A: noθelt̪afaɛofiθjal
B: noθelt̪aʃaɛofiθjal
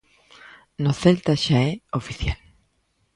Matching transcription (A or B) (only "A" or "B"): B